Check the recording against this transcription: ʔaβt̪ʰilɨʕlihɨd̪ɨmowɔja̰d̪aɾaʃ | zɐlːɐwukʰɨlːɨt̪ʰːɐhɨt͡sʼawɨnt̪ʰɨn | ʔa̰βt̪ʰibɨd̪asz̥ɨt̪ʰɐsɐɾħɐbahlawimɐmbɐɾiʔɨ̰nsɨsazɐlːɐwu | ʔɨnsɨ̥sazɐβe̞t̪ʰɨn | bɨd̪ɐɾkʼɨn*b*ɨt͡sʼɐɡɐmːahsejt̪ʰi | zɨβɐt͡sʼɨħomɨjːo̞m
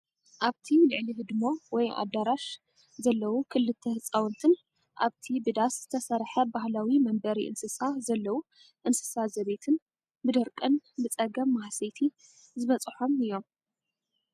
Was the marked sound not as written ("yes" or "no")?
no